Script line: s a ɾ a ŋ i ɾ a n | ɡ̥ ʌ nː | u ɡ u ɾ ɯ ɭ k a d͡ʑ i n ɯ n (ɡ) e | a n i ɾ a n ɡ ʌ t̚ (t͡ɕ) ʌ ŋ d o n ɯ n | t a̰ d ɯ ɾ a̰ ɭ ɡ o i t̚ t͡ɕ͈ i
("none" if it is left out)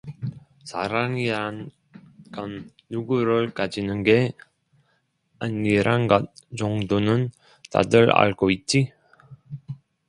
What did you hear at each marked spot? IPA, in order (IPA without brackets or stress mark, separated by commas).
ɡ, t͡ɕ